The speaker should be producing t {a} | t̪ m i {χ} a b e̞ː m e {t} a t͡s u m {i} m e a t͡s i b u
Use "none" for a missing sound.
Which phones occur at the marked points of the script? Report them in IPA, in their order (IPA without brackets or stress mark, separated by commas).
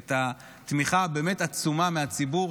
a, χ, t, a